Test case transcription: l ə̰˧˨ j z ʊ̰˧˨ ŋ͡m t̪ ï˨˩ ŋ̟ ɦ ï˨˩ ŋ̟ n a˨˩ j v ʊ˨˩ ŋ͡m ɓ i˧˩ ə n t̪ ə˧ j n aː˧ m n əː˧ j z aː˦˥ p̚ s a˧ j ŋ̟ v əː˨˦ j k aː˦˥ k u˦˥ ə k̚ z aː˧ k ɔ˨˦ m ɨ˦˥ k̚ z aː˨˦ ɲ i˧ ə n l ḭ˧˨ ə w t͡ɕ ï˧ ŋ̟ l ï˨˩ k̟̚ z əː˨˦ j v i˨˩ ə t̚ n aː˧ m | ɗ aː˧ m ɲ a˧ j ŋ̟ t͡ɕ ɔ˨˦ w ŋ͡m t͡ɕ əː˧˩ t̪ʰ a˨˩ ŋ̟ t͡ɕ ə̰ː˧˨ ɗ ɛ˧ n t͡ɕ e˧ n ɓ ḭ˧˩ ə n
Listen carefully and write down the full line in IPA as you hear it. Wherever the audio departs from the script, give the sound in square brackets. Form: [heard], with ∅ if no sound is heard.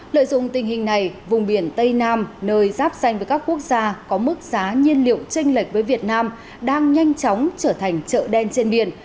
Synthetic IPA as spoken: l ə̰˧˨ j z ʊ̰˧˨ ŋ͡m t̪ ï˨˩ ŋ̟ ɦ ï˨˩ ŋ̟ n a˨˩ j v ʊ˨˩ ŋ͡m ɓ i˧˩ ə n t̪ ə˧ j n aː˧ m n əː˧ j z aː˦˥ p̚ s a˧ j ŋ̟ v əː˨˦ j k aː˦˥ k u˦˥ ə k̚ z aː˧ k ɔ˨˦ m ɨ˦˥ k̚ z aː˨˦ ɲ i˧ ə n l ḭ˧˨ ə w t͡ɕ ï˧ ŋ̟ l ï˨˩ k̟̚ [v] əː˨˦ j v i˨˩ ə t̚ n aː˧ m | ɗ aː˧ [ŋ] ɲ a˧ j ŋ̟ t͡ɕ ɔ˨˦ w ŋ͡m t͡ɕ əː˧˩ t̪ʰ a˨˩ ŋ̟ t͡ɕ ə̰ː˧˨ ɗ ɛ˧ n t͡ɕ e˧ n ɓ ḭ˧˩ ə n